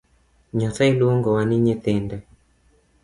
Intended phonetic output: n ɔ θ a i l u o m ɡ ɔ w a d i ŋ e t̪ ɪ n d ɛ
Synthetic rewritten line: ɲ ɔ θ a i l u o ŋ ɡ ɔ w a n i ɲ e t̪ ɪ n d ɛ